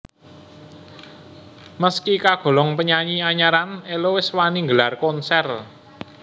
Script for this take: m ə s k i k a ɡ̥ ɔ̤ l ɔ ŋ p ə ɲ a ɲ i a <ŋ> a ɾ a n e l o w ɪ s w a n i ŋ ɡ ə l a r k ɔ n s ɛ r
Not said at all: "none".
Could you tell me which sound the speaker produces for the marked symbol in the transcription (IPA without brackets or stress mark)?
ɲ